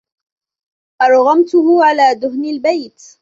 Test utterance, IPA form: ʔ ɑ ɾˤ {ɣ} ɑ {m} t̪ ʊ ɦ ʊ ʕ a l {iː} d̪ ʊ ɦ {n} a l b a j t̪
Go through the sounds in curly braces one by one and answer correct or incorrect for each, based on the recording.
correct, correct, incorrect: aː, correct

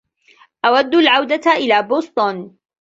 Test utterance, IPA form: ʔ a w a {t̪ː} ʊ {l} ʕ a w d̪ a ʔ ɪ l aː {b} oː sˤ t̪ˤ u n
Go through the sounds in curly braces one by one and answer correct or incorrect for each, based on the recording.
incorrect: d̪ː, correct, correct

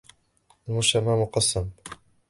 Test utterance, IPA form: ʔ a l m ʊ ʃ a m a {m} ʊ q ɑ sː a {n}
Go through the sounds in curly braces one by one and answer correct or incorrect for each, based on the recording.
correct, incorrect: m

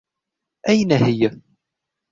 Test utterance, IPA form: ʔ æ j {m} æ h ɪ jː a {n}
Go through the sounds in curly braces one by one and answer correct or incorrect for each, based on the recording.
incorrect: n, incorrect: none

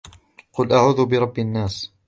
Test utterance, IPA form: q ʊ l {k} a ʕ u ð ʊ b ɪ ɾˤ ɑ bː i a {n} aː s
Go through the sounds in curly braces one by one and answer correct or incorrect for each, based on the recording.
incorrect: ʔ, incorrect: nː

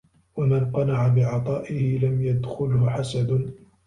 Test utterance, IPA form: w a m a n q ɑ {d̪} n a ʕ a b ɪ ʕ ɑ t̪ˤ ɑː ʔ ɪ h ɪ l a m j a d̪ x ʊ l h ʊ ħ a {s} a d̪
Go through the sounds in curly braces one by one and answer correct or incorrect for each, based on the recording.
incorrect: none, correct

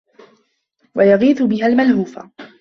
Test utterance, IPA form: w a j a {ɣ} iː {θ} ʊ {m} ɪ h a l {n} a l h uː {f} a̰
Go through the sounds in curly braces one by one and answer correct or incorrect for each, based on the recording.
correct, correct, incorrect: b, incorrect: m, correct

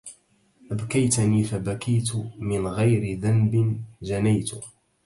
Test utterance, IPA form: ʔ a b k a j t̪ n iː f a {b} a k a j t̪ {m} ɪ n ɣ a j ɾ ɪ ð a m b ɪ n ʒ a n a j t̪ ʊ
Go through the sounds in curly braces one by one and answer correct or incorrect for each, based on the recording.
correct, correct

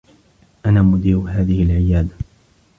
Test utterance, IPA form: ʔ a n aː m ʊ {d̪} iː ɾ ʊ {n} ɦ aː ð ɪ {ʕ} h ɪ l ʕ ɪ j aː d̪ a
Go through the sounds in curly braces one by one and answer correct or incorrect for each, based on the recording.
correct, incorrect: none, incorrect: none

